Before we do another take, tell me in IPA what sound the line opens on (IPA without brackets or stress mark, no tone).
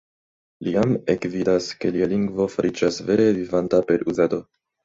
l